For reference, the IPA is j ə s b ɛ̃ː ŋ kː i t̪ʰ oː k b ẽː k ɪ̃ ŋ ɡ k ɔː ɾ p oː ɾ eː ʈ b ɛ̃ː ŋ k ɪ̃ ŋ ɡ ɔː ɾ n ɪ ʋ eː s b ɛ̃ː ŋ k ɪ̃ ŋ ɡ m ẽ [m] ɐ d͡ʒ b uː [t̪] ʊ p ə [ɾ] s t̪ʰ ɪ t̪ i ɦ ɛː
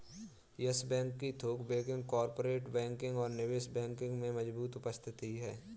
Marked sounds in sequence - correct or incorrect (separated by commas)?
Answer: correct, correct, incorrect